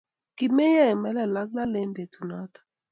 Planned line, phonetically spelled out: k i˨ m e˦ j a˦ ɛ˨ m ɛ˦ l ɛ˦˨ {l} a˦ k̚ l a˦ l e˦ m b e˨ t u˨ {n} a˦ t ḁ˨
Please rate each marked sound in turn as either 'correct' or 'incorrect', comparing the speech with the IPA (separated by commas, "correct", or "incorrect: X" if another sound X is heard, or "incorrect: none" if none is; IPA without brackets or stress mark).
correct, correct